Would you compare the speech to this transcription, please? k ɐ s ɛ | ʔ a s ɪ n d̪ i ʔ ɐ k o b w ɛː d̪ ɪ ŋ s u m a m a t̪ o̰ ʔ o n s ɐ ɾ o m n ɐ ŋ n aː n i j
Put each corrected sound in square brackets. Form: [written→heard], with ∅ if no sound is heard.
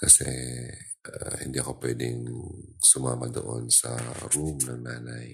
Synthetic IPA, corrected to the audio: k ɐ s ɛ | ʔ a [s→h] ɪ n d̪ i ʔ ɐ k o [b→p] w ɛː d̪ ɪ ŋ s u m a m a [t̪→d̪] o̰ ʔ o n s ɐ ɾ [o→u] m n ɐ ŋ n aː n [i→a] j